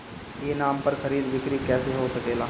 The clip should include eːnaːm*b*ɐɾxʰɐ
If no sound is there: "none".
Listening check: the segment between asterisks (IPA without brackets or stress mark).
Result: p